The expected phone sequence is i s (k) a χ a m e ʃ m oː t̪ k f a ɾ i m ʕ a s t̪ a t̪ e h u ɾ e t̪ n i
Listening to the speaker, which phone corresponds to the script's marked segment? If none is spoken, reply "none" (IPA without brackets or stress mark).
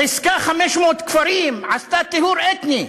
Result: k